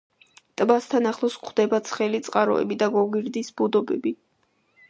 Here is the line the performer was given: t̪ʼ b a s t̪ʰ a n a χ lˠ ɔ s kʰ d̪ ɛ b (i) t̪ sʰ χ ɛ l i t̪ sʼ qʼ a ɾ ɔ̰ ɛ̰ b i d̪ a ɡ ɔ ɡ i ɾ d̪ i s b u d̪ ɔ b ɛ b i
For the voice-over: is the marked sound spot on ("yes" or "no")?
no